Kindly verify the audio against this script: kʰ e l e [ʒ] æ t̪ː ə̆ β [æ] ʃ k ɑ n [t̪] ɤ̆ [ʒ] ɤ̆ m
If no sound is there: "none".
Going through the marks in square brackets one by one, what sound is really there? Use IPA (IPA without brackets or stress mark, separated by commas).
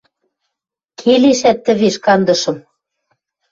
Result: ʃ, e, d̪, ʃ